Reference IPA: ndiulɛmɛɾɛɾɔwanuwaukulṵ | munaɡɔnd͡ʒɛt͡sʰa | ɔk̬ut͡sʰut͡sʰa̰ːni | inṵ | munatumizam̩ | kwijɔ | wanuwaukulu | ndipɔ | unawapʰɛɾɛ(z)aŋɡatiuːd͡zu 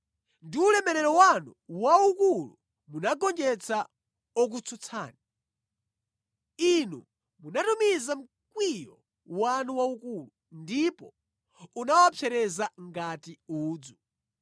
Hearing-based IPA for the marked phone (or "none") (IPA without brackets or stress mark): z